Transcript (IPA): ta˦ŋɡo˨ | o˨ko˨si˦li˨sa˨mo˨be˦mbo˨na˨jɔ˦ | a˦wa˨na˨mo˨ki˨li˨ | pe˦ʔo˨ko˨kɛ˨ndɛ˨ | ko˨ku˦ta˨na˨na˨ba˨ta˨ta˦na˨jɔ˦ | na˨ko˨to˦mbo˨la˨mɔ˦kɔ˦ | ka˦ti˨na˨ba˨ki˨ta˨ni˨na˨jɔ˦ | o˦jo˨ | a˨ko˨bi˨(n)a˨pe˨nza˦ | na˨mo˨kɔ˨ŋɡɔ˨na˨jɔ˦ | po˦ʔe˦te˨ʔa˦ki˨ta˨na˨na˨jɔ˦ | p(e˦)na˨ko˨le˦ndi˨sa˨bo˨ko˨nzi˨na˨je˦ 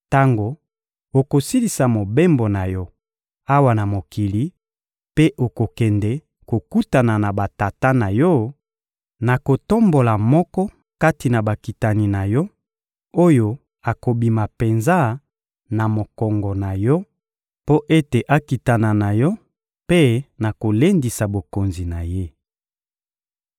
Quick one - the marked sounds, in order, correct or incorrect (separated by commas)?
incorrect, correct